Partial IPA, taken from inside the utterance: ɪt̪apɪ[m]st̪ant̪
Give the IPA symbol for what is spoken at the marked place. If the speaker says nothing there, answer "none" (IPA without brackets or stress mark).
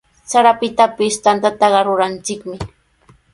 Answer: none